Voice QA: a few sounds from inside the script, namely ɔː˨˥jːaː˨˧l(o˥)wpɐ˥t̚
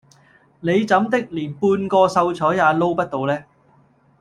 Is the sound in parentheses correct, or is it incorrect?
correct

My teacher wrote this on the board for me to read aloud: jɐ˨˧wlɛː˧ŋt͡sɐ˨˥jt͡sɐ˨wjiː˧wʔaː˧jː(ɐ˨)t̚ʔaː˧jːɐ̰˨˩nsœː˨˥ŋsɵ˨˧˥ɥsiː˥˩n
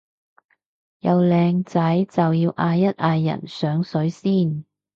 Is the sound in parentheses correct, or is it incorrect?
incorrect: ɐ˥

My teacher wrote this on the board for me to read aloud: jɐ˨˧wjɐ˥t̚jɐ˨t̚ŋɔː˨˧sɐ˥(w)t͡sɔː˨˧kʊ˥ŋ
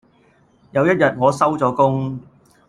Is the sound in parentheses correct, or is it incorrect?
correct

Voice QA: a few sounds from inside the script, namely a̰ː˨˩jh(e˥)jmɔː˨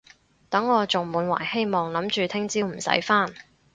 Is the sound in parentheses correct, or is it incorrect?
correct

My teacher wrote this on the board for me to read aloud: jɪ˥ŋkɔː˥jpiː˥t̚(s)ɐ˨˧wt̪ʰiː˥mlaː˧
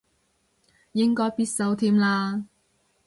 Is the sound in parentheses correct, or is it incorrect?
correct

